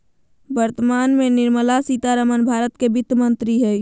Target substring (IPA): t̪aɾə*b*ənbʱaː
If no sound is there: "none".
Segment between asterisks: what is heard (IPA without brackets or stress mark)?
m